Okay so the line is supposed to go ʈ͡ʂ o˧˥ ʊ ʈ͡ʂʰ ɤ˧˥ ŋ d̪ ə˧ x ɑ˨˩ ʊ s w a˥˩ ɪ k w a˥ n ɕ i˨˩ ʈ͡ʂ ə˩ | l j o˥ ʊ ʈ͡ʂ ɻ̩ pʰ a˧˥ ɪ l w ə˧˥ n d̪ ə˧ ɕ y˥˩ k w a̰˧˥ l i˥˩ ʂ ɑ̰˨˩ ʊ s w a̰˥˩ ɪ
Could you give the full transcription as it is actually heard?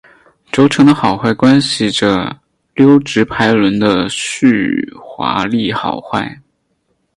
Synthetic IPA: ʈ͡ʂ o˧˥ ʊ ʈ͡ʂʰ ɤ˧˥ ŋ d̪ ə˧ x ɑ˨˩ ʊ x w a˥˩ ɪ k w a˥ n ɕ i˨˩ ʈ͡ʂ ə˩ | l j o˥ ʊ ʈ͡ʂ ɻ̩ pʰ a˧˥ ɪ l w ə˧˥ n d̪ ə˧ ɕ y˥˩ x w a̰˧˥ l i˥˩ x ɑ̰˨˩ ʊ x w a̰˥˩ ɪ